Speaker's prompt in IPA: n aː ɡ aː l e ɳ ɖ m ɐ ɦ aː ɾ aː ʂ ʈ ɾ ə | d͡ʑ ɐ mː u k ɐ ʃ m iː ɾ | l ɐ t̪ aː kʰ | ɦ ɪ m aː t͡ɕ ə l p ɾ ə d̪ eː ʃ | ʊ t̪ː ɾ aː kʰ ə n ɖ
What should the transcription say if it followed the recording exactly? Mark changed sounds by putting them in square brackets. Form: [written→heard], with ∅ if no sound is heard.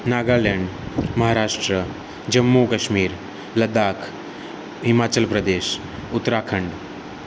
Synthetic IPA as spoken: n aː ɡ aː l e ɳ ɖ m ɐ ɦ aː ɾ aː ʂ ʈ ɾ ə | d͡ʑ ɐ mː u k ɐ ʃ m iː ɾ | l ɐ [t̪→d̪] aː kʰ | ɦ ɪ m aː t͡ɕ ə l p ɾ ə d̪ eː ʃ | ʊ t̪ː ɾ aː kʰ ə [n→ɳ] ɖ